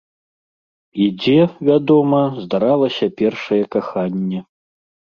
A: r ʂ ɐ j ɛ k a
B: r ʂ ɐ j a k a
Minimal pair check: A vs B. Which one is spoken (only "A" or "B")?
A